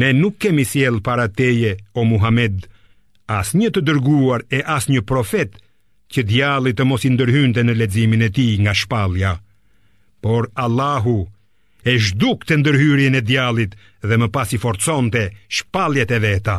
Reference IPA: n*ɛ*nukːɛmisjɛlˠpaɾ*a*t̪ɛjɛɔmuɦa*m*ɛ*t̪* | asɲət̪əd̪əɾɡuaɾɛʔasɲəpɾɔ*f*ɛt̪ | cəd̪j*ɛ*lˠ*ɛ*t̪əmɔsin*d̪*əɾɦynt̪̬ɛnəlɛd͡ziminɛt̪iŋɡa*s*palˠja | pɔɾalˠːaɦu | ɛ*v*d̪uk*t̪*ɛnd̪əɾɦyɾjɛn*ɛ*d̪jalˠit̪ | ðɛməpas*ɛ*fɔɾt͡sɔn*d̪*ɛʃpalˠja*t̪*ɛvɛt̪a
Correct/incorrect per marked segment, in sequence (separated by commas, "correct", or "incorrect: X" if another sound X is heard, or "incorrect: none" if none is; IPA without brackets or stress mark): correct, correct, correct, incorrect: d̪, correct, incorrect: a, incorrect: i, correct, incorrect: ʃ, incorrect: ʒ, correct, correct, incorrect: i, incorrect: t̪, correct